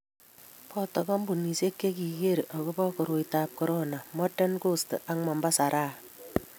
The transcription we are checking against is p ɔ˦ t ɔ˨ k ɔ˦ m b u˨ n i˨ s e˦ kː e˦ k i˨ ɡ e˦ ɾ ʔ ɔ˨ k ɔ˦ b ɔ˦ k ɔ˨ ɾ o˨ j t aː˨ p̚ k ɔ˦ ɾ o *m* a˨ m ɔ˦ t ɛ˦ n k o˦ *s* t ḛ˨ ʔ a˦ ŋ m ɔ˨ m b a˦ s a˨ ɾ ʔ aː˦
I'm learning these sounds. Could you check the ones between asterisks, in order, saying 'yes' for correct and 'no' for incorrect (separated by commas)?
no, yes